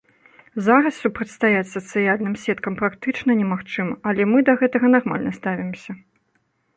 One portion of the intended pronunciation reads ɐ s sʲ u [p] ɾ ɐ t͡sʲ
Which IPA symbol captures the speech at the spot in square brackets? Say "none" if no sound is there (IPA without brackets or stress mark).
p